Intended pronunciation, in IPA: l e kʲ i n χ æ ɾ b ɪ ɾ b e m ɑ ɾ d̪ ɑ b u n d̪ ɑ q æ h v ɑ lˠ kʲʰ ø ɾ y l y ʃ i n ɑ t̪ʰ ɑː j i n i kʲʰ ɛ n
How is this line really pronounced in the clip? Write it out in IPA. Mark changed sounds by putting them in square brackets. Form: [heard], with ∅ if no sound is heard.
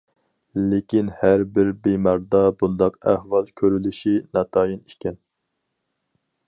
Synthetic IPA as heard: l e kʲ i n [h] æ ɾ b ɪ ɾ b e m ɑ ɾ d̪ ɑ b u n d̪ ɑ q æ h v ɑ lˠ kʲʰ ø ɾ y l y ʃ i n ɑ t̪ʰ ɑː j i n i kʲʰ ɛ n